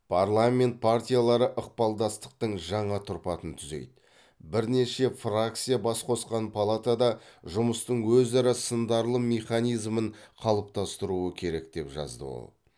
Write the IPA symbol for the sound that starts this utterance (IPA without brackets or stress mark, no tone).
pʰ